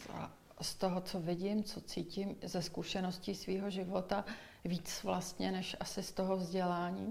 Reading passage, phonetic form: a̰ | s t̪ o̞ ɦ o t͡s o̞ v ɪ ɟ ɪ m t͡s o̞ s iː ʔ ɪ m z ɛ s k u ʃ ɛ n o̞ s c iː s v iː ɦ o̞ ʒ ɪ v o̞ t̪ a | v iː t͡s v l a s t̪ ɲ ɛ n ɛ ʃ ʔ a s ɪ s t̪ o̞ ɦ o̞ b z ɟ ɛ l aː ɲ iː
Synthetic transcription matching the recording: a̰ | s t̪ o̞ ɦ o t͡s o̞ v ɪ ɟ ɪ m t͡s o̞ t͡s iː c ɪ m z ɛ s k u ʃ ɛ n o̞ s c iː s v iː ɦ o̞ ʒ ɪ v o̞ t̪ a | v iː t͡s v l a s t̪ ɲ ɛ n ɛ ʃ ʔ a s ɪ s t̪ o̞ ɦ o̞ v z ɟ ɛ l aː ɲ iː